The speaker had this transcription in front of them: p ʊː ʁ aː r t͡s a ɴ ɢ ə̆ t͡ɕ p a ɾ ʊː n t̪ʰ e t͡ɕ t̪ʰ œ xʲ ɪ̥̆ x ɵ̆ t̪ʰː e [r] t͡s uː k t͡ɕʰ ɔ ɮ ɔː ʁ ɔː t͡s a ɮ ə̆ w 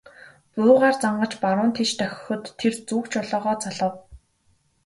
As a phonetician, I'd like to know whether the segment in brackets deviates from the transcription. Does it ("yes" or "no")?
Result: no